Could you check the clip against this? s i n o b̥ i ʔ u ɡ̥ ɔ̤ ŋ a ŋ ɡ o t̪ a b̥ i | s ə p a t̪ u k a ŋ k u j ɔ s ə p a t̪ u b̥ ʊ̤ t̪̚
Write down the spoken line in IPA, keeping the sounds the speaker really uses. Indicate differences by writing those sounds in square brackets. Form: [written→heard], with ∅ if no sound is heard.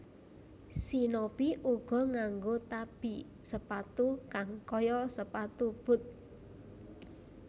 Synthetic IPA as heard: s i n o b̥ i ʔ u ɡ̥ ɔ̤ ŋ a ŋ ɡ o t̪ a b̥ i | s ə p a t̪ u k a ŋ k [u→ɔ] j ɔ s ə p a t̪ u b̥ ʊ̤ t̪̚